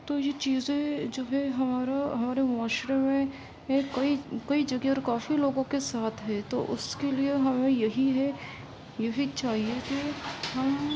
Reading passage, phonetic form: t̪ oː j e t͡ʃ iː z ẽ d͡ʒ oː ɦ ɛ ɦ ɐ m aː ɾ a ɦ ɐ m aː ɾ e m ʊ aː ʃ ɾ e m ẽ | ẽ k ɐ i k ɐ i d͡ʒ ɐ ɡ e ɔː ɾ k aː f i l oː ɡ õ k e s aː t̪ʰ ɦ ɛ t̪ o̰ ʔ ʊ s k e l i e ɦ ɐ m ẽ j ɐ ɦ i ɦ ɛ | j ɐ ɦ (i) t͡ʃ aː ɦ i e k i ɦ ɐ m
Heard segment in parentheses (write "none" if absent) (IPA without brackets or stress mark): i